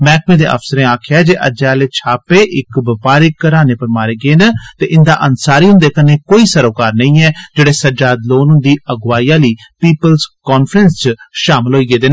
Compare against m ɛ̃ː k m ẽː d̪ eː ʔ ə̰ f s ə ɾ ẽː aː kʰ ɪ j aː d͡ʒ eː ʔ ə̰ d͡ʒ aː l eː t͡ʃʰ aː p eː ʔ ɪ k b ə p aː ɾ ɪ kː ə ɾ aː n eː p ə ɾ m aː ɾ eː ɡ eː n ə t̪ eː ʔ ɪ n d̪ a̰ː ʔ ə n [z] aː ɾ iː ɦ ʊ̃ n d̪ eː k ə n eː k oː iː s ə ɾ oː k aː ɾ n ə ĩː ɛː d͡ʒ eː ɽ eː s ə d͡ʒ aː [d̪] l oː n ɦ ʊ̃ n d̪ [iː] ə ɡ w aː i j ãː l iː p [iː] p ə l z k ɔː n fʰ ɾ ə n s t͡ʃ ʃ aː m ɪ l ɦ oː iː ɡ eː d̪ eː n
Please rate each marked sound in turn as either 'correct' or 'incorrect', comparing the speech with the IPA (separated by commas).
incorrect, correct, correct, correct